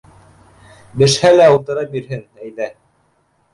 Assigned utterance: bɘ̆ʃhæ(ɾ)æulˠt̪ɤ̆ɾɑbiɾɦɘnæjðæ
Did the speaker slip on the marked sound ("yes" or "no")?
yes